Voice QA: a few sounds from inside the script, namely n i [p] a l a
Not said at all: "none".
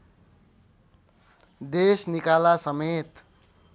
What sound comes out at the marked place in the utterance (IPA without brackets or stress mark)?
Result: k